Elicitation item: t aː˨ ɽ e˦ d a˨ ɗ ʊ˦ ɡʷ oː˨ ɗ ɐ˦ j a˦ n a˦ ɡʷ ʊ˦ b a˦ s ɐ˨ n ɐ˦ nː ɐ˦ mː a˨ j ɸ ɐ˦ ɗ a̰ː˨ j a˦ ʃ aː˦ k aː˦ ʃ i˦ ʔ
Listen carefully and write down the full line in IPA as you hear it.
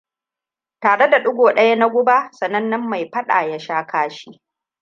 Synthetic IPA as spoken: t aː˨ ɽ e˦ d a˨ ɗ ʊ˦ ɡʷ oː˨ ɗ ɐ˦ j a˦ n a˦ ɡʷ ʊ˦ b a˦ s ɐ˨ n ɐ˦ nː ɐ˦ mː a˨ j ɸ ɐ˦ ɗ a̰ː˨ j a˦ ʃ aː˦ k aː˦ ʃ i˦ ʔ